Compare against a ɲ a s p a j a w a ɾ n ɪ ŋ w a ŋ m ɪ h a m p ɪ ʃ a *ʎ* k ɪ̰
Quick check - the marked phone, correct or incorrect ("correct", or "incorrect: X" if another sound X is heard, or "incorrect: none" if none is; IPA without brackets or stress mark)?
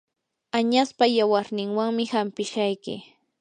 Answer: incorrect: j